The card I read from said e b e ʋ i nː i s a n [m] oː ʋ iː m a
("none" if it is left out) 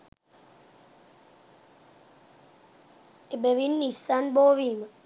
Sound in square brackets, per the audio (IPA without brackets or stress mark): b